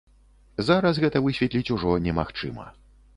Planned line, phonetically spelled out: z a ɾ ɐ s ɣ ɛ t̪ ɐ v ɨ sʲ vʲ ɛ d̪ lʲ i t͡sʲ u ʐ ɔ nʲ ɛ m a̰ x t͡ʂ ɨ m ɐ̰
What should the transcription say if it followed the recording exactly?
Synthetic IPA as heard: z a ɾ ɐ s ɣ ɛ t̪ ɐ v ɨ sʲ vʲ ɛ t̪ lʲ i t͡sʲ u ʐ ɔ nʲ ɛ m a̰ x t͡ʂ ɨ m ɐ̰